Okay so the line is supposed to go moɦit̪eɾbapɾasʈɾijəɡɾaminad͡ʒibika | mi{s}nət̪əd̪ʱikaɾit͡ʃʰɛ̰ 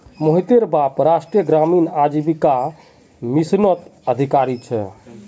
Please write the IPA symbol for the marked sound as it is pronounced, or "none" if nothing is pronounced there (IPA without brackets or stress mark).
s